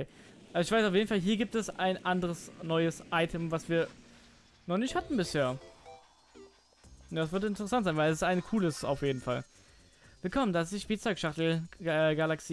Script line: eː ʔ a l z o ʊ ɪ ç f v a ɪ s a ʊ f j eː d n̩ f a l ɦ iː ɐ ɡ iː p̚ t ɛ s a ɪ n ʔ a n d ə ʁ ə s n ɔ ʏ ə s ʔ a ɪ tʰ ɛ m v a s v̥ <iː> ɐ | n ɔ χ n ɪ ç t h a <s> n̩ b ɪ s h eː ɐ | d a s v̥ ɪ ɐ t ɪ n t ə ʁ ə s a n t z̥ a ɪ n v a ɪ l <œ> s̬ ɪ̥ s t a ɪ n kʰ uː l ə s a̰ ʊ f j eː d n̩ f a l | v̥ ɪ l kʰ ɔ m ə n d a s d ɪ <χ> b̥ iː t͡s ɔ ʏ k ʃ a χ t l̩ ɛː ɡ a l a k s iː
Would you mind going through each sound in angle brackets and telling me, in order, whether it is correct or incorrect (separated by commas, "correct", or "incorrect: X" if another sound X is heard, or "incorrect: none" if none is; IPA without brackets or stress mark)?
correct, incorrect: t, incorrect: ɛ, incorrect: ʃ